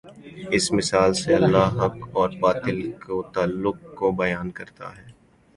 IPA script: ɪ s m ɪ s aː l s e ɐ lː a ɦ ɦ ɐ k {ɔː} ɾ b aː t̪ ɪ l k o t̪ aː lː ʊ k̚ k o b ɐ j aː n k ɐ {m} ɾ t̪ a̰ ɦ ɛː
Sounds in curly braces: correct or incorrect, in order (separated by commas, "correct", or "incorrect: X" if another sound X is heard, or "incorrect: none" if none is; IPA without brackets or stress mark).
correct, incorrect: none